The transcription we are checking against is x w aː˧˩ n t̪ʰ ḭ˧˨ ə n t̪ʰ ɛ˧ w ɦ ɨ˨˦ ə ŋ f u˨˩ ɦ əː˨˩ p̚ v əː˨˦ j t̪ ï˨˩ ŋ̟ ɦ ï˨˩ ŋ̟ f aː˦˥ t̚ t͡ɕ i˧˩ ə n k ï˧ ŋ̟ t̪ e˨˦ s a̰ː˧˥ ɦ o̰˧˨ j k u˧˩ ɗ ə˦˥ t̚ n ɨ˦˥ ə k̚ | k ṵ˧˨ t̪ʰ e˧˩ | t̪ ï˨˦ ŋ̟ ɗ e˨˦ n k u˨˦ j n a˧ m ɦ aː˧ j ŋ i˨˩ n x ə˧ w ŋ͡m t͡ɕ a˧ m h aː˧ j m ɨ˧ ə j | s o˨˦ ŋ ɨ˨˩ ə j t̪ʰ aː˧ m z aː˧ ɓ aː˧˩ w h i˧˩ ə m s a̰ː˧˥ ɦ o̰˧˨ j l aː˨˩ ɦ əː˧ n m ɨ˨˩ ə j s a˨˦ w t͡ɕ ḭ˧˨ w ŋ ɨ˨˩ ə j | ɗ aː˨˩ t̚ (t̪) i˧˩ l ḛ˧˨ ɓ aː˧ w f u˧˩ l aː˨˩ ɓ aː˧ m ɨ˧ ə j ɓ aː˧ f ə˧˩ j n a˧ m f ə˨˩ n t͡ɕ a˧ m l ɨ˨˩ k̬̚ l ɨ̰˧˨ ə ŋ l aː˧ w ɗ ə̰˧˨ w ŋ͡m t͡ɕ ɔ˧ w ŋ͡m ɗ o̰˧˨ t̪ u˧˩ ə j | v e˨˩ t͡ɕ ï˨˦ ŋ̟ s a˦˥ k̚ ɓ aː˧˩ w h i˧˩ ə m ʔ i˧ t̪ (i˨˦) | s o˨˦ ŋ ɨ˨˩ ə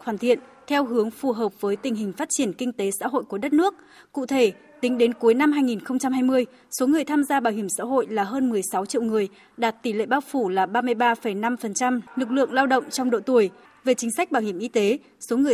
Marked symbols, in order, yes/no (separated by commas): yes, no